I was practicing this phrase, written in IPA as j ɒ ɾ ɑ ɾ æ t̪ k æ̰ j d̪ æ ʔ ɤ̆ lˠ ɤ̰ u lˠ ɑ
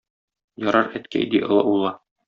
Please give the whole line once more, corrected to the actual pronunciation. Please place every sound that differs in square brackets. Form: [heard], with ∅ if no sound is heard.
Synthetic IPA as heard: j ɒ ɾ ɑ ɾ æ t̪ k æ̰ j d̪ [i] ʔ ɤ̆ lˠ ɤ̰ u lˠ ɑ